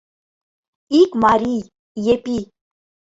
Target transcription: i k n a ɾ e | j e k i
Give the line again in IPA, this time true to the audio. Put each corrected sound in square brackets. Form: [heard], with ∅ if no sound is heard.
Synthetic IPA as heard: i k [m] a ɾ [i] | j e [p] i

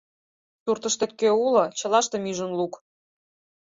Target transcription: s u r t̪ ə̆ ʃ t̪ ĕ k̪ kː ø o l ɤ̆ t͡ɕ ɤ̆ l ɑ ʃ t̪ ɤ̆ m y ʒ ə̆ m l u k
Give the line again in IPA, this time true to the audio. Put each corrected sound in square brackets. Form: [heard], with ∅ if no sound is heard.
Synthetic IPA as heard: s u r t̪ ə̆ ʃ t̪ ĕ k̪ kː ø [u] l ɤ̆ t͡ɕ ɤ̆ l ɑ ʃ t̪ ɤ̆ m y ʒ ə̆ [n] l u k

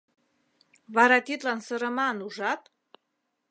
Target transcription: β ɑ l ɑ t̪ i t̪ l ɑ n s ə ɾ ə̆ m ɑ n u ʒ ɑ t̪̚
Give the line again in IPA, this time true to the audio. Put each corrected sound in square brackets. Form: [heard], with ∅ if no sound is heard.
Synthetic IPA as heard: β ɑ [ɾ] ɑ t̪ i t̪ l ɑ n s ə ɾ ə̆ m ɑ n u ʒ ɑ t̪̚

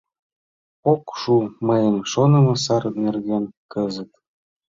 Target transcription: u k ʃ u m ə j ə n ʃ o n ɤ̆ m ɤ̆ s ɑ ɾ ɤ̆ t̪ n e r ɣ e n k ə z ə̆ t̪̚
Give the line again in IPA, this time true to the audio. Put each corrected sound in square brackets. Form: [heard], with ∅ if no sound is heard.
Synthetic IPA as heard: [o] k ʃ u m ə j ə [m] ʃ o n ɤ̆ m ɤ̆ s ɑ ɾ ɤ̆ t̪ n e r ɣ e n k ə z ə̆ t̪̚

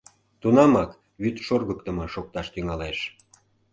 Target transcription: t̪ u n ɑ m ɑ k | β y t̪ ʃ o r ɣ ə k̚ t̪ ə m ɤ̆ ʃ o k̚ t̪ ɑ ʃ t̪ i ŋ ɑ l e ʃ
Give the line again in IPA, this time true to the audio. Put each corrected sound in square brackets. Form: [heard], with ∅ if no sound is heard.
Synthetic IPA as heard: t̪ u n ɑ m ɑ k | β y t̪ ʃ o r ɣ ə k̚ t̪ ə m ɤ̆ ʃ o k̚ t̪ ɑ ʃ t̪ [y] ŋ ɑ l e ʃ

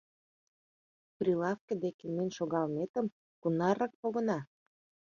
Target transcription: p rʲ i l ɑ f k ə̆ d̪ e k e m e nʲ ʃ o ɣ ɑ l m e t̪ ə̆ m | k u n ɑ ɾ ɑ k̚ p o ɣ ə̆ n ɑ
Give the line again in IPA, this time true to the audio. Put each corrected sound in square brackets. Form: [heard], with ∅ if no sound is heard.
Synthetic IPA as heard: p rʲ i l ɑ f k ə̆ d̪ e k e m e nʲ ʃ o ɣ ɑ l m e t̪ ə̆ m | k u n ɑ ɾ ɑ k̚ p o ɣ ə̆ n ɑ

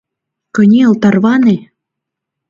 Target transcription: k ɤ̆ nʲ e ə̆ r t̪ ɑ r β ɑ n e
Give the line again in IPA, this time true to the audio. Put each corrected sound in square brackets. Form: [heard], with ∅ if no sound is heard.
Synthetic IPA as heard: k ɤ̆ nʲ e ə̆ [l] t̪ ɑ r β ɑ n e

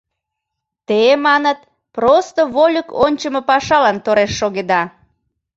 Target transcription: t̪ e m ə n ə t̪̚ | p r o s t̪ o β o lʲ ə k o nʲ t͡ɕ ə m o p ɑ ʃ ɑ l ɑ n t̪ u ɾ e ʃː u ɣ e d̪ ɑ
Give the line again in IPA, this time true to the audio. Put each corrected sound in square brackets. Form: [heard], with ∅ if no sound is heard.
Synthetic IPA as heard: t̪ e m [ɑ] n ə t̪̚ | p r o s t̪ o β o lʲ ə k o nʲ t͡ɕ ə m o p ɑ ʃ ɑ l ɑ n t̪ [o] ɾ e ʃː [o] ɣ e d̪ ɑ

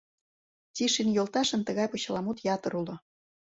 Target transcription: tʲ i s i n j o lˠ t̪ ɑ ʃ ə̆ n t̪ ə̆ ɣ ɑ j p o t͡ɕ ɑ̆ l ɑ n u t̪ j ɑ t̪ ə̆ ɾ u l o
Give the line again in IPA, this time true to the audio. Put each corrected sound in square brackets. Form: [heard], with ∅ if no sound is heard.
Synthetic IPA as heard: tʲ i [ʃ] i n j o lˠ t̪ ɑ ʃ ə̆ n t̪ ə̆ ɣ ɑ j p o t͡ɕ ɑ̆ l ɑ [m] u t̪ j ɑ t̪ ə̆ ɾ u l o

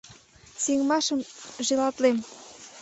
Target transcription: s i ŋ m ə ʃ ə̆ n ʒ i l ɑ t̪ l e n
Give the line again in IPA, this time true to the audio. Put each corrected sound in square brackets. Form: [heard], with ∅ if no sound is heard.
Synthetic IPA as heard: s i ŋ m [ɑ] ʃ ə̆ [m] ʒ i l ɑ t̪ l e [m]

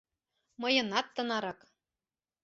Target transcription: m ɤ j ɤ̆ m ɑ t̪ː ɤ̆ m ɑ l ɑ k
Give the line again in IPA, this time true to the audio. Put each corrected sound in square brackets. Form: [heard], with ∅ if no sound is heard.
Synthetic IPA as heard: m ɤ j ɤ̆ [n] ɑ t̪ː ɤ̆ [n] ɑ [ɾ] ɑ k

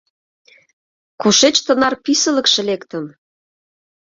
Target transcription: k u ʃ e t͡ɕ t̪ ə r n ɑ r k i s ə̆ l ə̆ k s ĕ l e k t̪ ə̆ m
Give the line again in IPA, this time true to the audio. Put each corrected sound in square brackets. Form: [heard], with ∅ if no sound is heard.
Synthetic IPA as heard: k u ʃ e t͡ɕ t̪ ə [∅] n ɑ r [p] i s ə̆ l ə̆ k [ʃ] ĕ l e k t̪ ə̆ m

